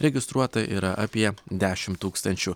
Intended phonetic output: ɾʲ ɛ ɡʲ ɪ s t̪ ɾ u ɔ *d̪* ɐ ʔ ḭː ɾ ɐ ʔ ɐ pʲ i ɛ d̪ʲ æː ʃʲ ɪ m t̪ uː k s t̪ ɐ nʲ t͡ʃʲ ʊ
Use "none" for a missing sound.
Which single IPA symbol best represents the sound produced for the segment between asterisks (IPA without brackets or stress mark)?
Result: t̪